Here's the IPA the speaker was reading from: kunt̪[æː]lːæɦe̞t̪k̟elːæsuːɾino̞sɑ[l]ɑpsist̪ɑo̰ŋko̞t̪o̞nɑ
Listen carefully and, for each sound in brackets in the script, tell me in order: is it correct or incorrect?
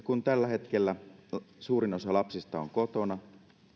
incorrect, correct

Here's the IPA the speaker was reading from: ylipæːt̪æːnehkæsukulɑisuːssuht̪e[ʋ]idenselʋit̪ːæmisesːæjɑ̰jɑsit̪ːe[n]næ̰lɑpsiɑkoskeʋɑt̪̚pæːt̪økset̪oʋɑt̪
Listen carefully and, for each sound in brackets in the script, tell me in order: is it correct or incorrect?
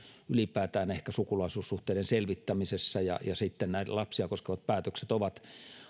incorrect, correct

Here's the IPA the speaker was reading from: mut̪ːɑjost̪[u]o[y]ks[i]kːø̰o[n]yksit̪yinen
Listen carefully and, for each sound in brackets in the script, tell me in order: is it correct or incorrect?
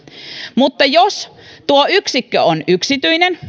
correct, correct, correct, correct

